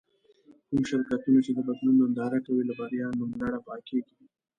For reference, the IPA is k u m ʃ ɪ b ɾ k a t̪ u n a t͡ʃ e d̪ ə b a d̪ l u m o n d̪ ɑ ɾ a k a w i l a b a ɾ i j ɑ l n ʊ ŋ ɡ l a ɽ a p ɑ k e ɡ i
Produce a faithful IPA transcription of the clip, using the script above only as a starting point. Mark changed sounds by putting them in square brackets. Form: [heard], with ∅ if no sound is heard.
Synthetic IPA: k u m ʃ ɪ [∅] ɾ k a t̪ u n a t͡ʃ e d̪ ə b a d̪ l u [n] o n d̪ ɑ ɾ a k a w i l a b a ɾ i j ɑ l [m] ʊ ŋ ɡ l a ɽ a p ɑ k e ɡ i